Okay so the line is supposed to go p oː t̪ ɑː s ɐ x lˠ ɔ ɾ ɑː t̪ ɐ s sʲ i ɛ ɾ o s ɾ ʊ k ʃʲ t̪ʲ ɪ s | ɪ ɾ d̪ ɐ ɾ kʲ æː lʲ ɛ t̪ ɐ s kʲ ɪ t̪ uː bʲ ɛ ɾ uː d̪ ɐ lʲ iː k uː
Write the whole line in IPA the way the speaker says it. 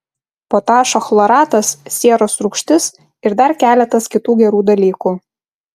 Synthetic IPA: p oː t̪ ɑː ʃ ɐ x lˠ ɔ ɾ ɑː t̪ ɐ s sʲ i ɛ ɾ o s ɾ ʊ k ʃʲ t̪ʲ ɪ s | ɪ ɾ d̪ ɐ ɾ kʲ æː lʲ ɛ t̪ ɐ s kʲ ɪ t̪ uː ɡʲ ɛ ɾ uː d̪ ɐ lʲ iː k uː